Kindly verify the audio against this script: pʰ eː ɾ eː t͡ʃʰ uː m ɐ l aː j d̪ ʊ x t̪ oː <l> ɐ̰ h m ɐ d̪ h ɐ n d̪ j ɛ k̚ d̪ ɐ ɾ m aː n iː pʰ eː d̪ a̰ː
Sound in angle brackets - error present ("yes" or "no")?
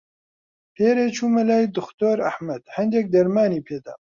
yes